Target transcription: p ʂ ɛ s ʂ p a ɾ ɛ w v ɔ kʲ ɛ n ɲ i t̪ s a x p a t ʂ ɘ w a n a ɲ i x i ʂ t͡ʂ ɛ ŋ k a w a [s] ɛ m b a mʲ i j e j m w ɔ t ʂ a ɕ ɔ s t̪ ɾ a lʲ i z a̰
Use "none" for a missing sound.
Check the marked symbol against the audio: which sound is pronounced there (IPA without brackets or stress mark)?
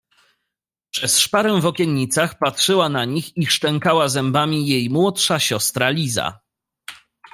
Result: z